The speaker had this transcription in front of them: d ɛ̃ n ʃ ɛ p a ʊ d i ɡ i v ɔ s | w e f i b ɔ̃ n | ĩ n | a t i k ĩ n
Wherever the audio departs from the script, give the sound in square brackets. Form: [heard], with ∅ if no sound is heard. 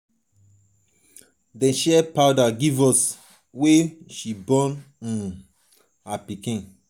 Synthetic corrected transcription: d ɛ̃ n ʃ ɛ p a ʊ d [a] ɡ i v ɔ s | w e [ʃ] i b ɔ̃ n | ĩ n | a [p] i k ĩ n